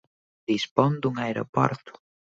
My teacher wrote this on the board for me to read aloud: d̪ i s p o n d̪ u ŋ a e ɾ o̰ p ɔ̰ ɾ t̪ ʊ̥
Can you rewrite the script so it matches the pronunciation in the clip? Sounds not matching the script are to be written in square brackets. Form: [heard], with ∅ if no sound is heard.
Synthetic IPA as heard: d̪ i s p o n d̪ u ŋ a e ɾ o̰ p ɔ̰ ɾ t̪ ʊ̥